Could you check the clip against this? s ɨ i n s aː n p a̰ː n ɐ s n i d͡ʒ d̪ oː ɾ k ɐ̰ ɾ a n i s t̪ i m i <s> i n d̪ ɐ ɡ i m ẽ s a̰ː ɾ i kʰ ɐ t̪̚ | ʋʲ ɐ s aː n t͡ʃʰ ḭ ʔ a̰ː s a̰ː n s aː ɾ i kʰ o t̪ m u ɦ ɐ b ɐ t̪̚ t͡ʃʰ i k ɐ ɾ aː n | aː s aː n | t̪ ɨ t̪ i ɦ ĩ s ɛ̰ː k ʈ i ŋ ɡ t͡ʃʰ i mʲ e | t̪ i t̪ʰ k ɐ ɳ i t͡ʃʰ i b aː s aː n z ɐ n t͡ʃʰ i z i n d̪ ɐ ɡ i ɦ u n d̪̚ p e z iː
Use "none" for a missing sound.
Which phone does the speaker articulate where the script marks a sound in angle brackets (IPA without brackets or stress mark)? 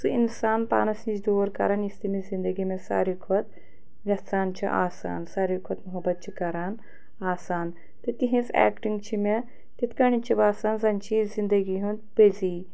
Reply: z